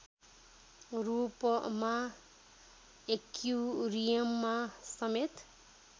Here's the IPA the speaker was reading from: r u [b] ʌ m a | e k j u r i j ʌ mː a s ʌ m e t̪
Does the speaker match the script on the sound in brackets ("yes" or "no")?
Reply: no